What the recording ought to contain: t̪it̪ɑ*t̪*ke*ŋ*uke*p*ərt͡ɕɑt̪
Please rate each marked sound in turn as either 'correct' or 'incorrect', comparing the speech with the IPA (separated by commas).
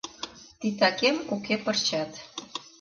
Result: incorrect, incorrect, correct